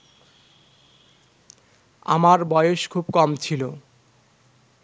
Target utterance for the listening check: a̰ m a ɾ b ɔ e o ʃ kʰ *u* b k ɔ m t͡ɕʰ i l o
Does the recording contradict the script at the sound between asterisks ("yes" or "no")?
no